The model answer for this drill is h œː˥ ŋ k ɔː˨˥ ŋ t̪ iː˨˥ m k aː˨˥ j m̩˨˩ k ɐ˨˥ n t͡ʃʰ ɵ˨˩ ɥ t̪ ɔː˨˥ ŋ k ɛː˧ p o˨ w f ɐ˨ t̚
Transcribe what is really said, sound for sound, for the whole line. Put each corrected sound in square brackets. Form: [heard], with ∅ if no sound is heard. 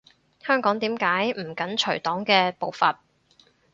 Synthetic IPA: h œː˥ ŋ k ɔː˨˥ ŋ t̪ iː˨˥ m k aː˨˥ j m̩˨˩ k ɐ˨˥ n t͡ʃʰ ɵ˨˩ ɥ t̪ ɔː˨˥ ŋ k ɛː˧ p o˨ w f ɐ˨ t̚